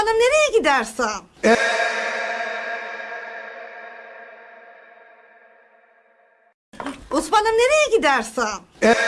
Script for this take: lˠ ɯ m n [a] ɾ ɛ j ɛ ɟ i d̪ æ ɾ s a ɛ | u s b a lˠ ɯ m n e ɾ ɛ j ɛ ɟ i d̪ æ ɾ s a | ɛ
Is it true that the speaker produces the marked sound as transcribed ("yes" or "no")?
no